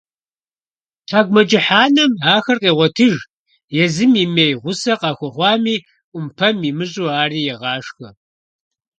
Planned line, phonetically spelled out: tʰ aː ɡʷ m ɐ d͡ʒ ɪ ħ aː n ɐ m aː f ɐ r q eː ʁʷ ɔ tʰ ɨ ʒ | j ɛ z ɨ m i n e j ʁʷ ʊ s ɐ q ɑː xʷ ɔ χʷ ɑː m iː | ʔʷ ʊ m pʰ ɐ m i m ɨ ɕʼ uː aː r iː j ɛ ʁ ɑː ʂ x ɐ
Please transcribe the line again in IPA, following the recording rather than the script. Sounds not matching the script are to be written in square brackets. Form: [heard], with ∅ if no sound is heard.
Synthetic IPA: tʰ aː ɡʷ m ɐ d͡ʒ ɪ ħ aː n ɐ m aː [x] ɐ r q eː ʁʷ ɔ tʰ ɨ ʒ | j ɛ z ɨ m i [m] e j ʁʷ ʊ s ɐ q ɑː xʷ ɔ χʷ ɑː m iː | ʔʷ ʊ m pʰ ɐ m i m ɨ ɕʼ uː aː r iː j ɛ ʁ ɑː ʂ x ɐ